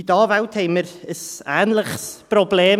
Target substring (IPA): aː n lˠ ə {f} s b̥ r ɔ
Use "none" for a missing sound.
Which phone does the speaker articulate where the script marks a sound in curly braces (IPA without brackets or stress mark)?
χ